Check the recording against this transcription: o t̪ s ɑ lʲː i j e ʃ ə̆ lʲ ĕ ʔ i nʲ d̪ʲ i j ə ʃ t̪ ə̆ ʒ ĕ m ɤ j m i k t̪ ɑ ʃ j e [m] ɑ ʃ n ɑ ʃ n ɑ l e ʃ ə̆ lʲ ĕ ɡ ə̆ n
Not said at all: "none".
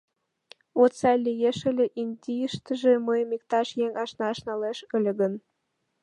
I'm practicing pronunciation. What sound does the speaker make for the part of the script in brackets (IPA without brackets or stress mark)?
ŋ